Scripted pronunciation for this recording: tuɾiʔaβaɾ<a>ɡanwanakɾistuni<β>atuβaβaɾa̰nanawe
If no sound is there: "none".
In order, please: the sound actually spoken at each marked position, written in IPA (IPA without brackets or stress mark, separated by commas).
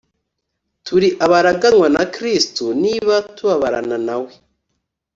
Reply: a, β